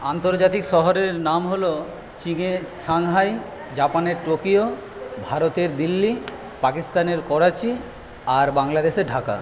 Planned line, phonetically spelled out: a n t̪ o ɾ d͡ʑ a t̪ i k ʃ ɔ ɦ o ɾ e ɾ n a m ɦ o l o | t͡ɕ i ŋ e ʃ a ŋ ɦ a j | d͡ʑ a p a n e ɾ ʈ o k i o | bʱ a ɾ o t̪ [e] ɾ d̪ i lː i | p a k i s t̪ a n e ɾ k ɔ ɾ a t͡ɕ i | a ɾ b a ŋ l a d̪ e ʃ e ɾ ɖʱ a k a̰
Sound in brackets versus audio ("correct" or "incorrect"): correct